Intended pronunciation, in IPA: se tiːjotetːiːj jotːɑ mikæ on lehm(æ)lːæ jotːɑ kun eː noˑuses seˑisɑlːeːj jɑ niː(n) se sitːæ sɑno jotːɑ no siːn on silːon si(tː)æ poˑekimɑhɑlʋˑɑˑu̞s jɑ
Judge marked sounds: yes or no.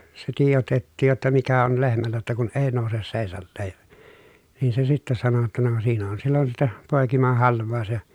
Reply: yes, yes, yes

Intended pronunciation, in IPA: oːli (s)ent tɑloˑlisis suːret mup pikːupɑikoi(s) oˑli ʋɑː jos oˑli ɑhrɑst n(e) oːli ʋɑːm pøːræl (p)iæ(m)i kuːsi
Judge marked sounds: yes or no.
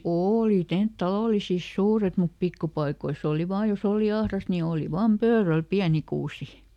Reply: no, yes, no, yes, no

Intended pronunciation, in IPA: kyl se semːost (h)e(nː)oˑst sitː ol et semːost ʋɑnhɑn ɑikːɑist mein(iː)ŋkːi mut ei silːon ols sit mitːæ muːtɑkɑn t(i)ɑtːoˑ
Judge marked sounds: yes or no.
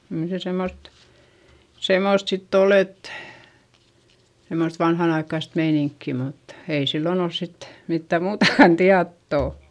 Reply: no, no, no, yes

